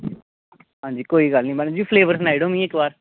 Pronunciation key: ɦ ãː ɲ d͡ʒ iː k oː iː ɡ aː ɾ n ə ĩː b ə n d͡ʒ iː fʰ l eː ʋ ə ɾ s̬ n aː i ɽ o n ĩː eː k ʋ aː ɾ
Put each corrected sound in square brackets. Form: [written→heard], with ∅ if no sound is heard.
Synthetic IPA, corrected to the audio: ɦ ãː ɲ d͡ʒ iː k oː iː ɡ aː [ɾ→l] n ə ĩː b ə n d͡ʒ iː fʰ l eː ʋ ə ɾ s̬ n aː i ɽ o [n→m] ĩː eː k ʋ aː ɾ

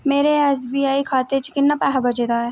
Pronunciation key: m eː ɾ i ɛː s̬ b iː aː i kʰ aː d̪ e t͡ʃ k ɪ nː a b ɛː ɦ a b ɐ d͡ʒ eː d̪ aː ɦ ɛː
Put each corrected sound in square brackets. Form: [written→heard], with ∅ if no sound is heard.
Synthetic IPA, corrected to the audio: m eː ɾ [i→e] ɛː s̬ b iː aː i kʰ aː [d̪→t̪] e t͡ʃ k ɪ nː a [b→p] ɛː ɦ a b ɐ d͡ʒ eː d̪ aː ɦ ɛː

